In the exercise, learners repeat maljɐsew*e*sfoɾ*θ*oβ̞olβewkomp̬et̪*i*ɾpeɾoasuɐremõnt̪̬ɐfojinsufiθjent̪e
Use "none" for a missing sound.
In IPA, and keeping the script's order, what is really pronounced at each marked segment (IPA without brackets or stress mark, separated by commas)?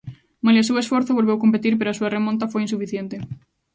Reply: e, θ, i